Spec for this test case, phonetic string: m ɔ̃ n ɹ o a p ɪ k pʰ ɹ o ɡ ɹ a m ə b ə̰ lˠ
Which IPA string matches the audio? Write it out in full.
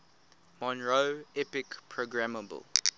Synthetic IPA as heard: m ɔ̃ n ɹ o ɛ p ɪ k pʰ ɹ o ɡ ɹ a m ə b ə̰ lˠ